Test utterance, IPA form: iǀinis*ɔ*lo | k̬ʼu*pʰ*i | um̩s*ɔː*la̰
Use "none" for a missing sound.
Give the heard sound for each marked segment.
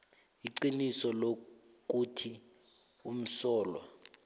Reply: ɔ, tʰ, ɔː

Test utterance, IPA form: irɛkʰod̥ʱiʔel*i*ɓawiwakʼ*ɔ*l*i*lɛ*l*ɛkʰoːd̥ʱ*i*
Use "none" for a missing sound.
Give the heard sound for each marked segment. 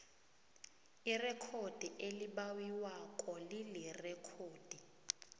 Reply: i, ɔ, i, r, i

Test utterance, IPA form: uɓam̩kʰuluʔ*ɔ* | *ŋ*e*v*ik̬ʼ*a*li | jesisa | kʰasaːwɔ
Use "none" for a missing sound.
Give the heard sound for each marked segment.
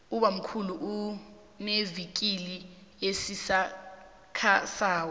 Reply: u, n, v, i

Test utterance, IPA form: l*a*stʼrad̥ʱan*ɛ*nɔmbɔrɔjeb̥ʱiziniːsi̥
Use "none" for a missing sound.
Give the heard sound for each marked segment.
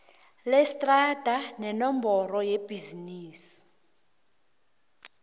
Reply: ɛ, ɛ

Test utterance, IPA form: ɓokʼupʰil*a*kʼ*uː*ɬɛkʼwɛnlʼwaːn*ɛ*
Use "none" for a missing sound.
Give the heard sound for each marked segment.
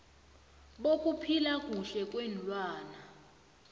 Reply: a, u, a

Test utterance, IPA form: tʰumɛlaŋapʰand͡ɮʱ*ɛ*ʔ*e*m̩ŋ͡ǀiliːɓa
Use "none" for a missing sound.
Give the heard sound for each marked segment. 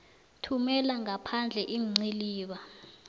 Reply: ɛ, i

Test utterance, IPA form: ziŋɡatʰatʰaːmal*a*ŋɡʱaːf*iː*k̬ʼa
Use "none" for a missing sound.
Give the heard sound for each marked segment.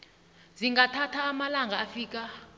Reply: a, iː

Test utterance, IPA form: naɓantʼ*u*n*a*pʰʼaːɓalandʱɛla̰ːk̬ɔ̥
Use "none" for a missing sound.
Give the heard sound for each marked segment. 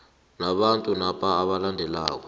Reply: u, a

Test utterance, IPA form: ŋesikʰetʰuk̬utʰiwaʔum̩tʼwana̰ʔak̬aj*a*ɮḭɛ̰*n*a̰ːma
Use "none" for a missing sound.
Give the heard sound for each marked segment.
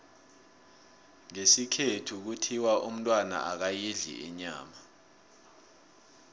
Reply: i, ɲ

